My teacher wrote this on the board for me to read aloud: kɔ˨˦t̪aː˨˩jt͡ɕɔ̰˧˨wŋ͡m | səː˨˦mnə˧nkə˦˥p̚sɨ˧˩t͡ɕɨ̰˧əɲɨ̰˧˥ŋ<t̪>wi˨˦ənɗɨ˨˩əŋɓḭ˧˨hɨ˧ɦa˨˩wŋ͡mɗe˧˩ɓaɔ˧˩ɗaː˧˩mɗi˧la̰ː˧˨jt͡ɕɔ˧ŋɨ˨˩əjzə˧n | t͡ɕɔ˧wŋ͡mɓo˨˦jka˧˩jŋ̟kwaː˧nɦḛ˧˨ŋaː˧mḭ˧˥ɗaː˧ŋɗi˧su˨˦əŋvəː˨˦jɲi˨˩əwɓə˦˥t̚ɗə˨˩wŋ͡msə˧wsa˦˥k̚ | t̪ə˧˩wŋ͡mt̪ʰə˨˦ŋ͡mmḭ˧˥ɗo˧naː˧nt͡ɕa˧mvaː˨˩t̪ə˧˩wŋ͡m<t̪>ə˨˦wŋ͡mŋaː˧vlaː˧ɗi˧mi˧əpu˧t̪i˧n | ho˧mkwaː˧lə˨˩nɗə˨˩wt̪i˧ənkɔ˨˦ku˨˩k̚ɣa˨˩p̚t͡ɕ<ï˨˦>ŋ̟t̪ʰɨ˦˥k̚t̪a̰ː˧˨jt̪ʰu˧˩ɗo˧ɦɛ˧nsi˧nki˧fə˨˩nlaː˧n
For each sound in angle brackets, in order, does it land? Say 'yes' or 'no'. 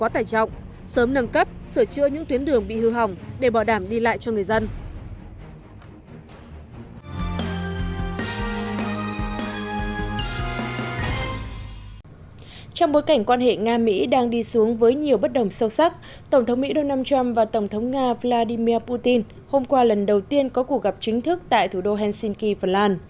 yes, no, yes

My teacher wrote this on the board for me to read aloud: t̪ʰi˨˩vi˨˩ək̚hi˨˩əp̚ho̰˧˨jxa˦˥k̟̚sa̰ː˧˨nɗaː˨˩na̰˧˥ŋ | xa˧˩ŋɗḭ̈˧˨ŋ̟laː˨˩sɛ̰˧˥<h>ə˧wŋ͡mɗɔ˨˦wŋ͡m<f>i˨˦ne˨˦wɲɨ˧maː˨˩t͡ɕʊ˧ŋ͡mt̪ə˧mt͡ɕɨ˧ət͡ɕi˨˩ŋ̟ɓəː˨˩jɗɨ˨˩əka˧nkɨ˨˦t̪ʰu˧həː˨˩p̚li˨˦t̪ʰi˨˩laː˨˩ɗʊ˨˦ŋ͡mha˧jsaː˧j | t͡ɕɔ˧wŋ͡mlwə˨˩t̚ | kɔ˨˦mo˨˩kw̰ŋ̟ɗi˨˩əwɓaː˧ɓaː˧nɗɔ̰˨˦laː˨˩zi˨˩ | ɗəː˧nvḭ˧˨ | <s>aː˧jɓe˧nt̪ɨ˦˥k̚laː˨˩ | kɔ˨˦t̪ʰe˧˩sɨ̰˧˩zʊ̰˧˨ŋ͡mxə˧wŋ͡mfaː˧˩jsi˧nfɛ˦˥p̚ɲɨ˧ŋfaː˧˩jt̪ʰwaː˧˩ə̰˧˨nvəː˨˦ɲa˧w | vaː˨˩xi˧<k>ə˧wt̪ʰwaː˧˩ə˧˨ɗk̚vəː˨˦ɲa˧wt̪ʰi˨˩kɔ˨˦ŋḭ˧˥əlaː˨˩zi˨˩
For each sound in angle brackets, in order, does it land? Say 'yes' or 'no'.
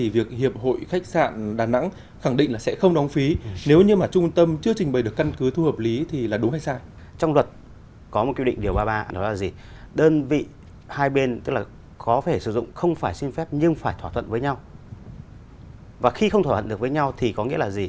no, yes, no, no

